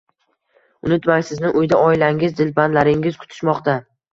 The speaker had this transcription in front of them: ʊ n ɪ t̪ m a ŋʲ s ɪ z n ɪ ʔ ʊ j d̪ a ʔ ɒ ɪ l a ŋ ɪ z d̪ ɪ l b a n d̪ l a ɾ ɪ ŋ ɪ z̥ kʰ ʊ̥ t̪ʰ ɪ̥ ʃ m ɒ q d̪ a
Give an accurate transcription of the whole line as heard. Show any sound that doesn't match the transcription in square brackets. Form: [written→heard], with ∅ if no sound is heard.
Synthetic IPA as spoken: ʊ n ɪ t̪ m a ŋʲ s ɪ z n ɪ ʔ ʊ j d̪ a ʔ ɒ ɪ l a ŋ ɪ z d̪ ɪ l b a n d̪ l a ɾ ɪ ŋ ɪ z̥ kʰ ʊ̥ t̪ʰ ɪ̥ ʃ m ɒ q [d̪→t̪] a